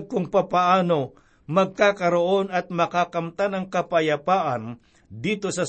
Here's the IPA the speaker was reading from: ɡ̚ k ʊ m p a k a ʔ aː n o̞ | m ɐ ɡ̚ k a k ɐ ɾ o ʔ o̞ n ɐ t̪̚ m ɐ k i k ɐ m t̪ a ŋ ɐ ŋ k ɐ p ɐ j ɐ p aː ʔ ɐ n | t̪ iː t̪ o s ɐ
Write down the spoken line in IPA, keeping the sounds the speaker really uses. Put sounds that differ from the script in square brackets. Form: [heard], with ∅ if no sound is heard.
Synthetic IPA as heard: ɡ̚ k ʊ [ŋ] p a [p] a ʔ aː n o̞ | m ɐ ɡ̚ k a k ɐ ɾ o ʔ o̞ n ɐ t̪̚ m ɐ k [a] k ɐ m t̪ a [n] ɐ ŋ k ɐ p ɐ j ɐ p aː ʔ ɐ n | [d̪] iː t̪ o s ɐ